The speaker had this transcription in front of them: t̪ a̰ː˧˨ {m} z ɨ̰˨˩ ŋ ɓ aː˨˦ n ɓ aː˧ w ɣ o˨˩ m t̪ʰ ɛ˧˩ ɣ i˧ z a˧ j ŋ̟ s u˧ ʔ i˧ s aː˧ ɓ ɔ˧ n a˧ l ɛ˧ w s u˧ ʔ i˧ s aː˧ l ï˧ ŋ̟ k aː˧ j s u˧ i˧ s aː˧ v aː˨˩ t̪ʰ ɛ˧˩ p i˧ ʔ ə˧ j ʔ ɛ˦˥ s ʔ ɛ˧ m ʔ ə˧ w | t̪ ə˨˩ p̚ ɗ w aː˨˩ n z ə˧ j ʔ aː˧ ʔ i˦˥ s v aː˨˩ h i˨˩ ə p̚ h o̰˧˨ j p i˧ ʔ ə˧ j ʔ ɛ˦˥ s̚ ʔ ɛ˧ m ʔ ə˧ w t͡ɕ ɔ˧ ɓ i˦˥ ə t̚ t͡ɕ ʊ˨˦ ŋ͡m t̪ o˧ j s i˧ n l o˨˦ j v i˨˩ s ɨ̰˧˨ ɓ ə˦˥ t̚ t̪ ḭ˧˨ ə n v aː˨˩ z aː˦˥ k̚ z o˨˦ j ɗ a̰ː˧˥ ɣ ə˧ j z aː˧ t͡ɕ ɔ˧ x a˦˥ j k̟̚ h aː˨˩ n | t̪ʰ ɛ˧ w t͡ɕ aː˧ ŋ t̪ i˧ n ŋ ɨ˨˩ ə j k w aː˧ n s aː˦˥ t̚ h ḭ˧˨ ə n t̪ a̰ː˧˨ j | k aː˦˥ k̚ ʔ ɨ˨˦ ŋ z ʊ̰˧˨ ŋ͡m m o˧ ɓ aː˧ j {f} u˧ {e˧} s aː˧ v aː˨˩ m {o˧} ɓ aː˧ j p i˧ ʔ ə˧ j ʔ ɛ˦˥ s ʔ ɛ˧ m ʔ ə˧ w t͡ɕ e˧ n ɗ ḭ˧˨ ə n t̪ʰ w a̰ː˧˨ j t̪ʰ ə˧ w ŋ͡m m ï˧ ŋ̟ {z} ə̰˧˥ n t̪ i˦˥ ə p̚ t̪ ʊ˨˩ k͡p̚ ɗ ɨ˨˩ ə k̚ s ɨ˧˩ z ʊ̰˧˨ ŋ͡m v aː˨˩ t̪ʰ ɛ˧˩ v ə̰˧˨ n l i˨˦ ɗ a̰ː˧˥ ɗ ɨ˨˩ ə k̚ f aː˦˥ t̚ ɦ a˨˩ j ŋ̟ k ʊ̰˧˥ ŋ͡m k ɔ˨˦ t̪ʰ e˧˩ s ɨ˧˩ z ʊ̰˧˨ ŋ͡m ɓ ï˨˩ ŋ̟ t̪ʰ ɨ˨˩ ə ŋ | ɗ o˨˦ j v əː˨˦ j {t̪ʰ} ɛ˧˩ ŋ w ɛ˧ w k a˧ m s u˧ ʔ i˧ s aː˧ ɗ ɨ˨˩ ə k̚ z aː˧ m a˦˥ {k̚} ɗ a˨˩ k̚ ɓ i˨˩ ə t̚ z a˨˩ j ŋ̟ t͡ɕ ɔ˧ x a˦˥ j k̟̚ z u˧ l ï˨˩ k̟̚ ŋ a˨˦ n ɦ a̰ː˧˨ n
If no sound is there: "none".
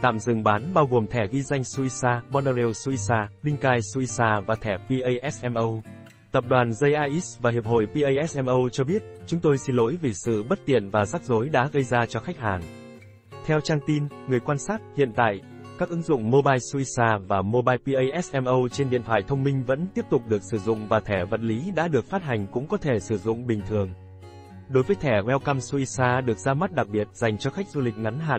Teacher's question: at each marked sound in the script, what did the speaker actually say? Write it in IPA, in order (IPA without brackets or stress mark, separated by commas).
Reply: m, s, i˧, o˧, v, t̪ʰ, t̚